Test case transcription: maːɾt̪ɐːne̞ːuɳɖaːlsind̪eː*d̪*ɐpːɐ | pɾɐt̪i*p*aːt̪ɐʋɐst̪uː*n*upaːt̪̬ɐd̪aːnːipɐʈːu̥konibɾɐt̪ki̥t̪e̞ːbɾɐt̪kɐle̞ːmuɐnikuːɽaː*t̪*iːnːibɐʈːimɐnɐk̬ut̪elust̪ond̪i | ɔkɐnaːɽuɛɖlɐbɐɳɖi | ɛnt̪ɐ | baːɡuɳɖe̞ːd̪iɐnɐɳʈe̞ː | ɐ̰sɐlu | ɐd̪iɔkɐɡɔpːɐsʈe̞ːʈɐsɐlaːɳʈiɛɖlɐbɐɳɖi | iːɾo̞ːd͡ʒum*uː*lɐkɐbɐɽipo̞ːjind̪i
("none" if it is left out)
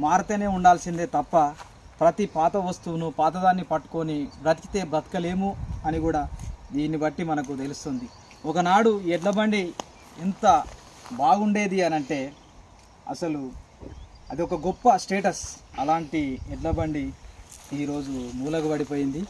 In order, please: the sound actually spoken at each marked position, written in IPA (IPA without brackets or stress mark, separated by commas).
t̪, p, n, d̪, uː